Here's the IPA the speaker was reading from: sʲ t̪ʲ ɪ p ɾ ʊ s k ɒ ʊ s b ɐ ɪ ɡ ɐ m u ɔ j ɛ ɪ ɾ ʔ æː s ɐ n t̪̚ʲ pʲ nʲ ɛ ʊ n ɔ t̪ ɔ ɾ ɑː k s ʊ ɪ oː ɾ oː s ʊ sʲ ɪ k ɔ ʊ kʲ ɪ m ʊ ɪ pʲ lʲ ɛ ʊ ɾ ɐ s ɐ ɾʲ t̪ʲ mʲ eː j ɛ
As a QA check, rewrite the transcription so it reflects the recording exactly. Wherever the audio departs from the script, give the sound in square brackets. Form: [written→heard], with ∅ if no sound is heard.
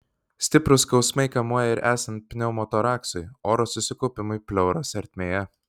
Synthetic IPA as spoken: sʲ t̪ʲ ɪ p ɾ ʊ s k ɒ ʊ s [b→m] ɐ ɪ [ɡ→k] ɐ m u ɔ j ɛ ɪ ɾ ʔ æː s ɐ n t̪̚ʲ pʲ nʲ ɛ ʊ [n→m] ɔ t̪ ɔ ɾ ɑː k s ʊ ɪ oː ɾ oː s ʊ sʲ ɪ k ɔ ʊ [kʲ→pʲ] ɪ m ʊ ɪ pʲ lʲ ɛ ʊ ɾ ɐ s ɐ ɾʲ t̪ʲ mʲ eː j ɛ

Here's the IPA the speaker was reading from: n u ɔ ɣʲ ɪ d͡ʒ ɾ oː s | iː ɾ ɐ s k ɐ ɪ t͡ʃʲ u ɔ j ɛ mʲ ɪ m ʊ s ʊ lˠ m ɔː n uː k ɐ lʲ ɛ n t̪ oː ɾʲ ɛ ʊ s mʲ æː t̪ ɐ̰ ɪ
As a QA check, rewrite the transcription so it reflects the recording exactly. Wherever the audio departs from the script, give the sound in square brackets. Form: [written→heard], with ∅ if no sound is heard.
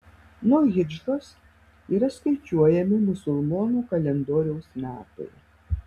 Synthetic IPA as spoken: n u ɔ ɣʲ ɪ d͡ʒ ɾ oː s | iː ɾ ɐ s k ɐ ɪ t͡ʃʲ u ɔ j ɛ mʲ ɪ m ʊ s ʊ lˠ m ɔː n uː k ɐ lʲ ɛ n [t̪→d̪] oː ɾʲ ɛ ʊ s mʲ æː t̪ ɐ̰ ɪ

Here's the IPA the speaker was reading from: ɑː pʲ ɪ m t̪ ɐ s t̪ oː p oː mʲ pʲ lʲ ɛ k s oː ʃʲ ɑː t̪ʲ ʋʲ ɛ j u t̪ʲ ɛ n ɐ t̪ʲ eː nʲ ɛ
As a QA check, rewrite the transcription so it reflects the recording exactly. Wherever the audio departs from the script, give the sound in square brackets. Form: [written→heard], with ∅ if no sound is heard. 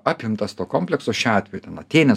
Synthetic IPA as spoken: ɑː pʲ ɪ m t̪ ɐ s t̪ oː [p→k] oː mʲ pʲ lʲ ɛ k s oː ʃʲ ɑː t̪ʲ ʋʲ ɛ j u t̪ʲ ɛ n ɐ t̪ʲ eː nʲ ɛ

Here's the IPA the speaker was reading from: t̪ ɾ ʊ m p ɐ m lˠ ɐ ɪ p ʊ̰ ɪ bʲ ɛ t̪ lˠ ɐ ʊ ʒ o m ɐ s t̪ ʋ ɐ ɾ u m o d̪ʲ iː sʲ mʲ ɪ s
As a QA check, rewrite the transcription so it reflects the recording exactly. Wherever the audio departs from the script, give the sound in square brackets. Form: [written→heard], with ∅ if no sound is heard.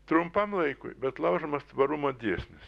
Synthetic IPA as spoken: t̪ ɾ ʊ m p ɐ m lˠ ɐ ɪ [p→k] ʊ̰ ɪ bʲ ɛ t̪ lˠ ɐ ʊ ʒ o m ɐ s t̪ ʋ ɐ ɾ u m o d̪ʲ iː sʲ [mʲ→nʲ] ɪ s

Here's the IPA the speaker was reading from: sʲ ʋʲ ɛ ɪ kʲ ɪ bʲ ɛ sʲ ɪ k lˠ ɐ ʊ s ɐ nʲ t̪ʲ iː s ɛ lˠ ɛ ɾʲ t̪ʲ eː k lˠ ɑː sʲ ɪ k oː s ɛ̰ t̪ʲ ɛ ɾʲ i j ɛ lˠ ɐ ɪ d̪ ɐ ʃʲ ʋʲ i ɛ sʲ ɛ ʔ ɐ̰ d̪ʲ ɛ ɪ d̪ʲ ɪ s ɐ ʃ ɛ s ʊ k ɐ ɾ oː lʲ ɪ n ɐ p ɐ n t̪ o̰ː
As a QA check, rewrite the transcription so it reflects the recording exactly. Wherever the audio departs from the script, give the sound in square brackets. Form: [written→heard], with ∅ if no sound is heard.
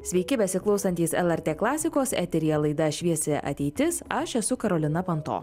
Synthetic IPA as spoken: sʲ ʋʲ ɛ ɪ kʲ ɪ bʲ ɛ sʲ ɪ k lˠ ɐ ʊ s ɐ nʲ t̪ʲ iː s ɛ lˠ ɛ ɾʲ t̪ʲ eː k lˠ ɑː sʲ ɪ k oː s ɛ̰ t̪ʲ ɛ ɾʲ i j ɛ lˠ ɐ ɪ d̪ ɐ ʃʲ ʋʲ i ɛ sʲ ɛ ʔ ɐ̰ [d̪ʲ→t̪ʲ] ɛ ɪ [d̪ʲ→t̪ʲ] ɪ s ɐ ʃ ɛ s ʊ k ɐ ɾ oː lʲ ɪ n ɐ p ɐ n t̪ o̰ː

